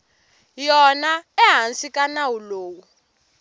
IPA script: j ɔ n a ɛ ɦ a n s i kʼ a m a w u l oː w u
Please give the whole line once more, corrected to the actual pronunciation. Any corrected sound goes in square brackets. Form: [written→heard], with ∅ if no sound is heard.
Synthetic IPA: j ɔ n a ɛ ɦ a n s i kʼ a [m→n] a w u l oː w u